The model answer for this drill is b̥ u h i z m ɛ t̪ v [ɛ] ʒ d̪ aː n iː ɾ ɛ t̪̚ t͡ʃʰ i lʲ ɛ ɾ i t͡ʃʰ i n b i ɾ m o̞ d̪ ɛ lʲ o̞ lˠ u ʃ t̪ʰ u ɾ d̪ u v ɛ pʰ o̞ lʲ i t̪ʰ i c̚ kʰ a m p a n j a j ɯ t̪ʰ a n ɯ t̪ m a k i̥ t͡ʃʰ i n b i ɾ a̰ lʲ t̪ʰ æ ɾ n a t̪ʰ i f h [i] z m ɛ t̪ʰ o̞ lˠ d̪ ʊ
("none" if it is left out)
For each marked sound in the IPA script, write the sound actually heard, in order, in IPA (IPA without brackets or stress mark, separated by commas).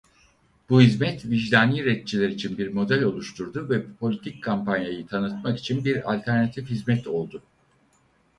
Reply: i, i